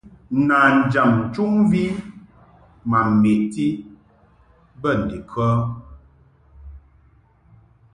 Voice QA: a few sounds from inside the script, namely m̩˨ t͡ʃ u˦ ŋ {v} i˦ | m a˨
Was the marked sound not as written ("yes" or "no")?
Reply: no